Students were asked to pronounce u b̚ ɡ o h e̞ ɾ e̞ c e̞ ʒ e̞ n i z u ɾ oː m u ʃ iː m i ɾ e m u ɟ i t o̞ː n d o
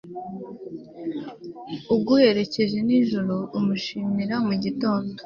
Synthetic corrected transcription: u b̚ ɡ u h e̞ ɾ e̞ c e̞ ʒ e̞ n i ʒ u ɾ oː m u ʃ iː m i ɾ a m u ɟ i t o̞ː n d o